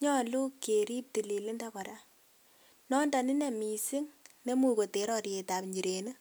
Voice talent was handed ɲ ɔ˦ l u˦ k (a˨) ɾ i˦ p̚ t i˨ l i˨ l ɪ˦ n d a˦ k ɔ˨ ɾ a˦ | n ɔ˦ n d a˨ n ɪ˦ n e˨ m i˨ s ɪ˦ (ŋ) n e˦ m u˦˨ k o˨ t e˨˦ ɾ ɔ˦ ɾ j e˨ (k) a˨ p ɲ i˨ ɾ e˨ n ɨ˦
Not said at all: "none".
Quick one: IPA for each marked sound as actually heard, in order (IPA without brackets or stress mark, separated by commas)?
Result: e˨, ŋ, t